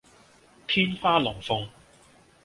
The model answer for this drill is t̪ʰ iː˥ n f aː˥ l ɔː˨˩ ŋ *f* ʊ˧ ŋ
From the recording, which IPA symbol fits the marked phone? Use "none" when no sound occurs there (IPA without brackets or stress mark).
f